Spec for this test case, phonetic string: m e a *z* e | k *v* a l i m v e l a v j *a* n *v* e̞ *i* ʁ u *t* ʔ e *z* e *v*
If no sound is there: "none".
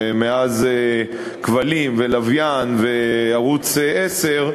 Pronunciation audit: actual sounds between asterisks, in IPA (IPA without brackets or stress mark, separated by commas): z, v, a, v, a, t͡s, s, ʁ